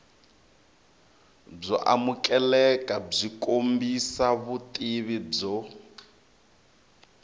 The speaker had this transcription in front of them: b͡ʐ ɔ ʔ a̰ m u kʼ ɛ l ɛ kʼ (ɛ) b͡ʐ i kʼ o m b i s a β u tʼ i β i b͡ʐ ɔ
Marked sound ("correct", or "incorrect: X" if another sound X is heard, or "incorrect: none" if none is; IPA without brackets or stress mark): incorrect: a